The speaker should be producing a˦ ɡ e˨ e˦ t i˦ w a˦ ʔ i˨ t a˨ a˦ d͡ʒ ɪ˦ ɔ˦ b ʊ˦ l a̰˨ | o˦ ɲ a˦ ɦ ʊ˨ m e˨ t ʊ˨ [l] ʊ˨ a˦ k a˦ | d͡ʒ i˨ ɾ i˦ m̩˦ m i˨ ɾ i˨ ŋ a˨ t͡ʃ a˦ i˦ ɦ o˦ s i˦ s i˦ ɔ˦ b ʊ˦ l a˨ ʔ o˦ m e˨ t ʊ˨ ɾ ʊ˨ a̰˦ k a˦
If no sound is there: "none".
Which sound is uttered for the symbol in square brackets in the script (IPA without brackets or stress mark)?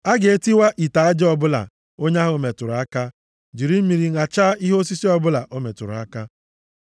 ɾ